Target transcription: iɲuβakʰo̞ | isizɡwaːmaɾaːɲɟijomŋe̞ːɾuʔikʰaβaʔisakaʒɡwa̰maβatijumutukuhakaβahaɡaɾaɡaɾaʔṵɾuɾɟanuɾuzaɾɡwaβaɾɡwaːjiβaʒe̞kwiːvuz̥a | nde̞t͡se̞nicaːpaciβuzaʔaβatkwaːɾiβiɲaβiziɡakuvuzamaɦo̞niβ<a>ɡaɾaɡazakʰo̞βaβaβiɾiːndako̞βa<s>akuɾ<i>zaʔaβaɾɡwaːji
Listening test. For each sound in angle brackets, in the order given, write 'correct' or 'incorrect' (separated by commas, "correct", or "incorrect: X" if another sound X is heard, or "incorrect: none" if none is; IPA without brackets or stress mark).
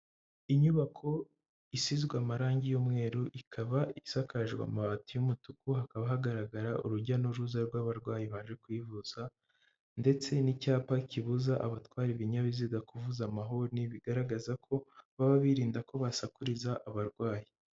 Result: incorrect: i, correct, correct